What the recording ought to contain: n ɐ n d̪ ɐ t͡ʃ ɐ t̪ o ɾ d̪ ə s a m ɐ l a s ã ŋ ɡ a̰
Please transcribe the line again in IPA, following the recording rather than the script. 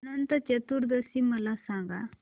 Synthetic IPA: n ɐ n t̪ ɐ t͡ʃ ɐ t̪ u ɾ d̪ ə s i m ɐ l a s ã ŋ ɡ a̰